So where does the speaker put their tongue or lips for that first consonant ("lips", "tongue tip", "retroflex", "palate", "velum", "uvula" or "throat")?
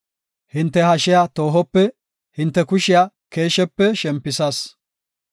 throat